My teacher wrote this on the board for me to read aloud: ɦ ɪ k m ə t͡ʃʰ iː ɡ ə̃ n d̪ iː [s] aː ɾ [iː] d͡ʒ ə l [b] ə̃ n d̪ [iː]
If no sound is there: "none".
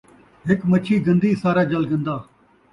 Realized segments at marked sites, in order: s, aː, ɡ, aː

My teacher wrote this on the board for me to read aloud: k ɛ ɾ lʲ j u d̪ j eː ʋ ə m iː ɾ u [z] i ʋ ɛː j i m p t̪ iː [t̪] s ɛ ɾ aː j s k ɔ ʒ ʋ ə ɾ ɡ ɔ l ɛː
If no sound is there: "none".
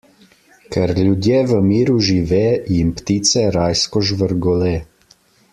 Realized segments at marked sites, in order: ʒ, t̪

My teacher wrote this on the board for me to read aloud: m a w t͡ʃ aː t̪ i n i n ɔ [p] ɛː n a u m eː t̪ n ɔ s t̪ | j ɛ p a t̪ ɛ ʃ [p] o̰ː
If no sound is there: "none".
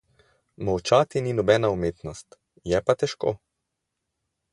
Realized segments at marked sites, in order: b, k

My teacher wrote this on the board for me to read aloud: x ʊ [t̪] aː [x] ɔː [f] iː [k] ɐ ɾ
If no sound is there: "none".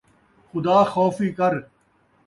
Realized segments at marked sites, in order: d̪, x, f, k

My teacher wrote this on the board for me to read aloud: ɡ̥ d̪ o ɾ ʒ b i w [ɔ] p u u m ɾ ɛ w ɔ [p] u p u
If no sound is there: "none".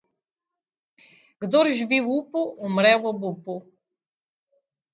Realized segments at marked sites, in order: u, b

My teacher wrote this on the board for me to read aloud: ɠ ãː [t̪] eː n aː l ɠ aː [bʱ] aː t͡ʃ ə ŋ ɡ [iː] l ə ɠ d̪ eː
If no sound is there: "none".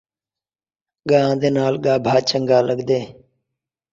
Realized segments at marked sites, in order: d̪, bʱ, aː

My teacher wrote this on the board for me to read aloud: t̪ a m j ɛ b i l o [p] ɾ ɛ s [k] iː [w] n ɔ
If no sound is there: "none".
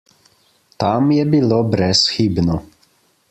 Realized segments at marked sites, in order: b, x, b

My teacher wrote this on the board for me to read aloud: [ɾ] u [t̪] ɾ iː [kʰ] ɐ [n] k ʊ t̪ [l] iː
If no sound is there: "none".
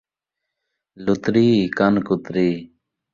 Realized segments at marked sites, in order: l, t̪, k, n, ɾ

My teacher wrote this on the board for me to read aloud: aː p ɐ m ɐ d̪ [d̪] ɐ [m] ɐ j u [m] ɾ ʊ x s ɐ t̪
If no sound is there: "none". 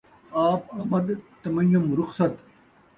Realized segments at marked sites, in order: t̪, m, m

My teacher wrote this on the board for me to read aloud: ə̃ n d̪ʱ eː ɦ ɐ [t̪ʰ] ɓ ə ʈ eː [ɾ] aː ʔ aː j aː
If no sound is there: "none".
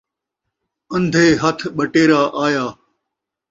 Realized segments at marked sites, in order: t̪ʰ, ɾ

